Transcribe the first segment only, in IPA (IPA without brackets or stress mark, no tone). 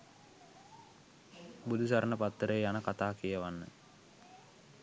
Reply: b